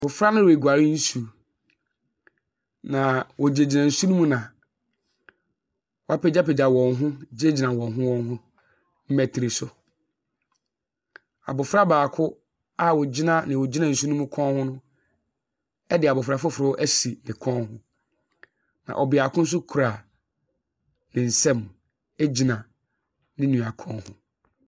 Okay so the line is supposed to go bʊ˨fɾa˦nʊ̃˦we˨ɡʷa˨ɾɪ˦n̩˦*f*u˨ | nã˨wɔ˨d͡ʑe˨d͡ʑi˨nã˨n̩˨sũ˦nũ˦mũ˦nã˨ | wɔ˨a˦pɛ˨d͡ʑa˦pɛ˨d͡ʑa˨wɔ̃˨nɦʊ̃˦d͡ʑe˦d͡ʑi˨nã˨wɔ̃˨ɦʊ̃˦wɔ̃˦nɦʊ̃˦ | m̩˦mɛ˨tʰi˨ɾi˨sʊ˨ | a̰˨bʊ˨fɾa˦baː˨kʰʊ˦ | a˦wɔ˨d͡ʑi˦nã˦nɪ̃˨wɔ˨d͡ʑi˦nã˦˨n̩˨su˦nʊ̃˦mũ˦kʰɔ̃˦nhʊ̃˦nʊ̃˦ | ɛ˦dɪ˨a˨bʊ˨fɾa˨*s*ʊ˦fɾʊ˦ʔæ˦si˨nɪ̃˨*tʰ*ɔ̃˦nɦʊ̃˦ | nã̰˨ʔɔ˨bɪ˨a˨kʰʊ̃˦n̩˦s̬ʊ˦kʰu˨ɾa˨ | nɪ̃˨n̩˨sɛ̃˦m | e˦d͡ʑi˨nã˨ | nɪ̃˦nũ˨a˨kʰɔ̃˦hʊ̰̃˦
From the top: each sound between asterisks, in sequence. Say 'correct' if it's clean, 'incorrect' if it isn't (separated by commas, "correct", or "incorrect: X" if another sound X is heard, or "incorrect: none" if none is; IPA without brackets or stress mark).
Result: incorrect: s, incorrect: f, incorrect: kʰ